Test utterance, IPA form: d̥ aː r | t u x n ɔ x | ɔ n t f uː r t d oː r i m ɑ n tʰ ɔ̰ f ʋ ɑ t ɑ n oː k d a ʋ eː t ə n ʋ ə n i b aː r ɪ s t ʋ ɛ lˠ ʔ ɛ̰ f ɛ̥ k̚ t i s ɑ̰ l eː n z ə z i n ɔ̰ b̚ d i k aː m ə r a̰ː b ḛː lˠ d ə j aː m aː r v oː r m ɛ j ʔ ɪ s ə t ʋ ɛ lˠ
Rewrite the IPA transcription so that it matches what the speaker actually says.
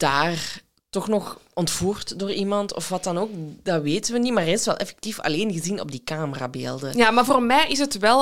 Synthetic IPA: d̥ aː r | t ɔ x n ɔ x | ɔ n t f uː r t d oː r i m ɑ n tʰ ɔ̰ f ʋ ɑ t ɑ n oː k d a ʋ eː t ə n ʋ ə n i m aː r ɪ s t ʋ ɛ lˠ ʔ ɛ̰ f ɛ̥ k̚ t i f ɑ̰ l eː n ɣ ə z i n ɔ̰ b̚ d i k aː m ə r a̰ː b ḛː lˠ d ə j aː m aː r v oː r m ɛ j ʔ ɪ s ə t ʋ ɛ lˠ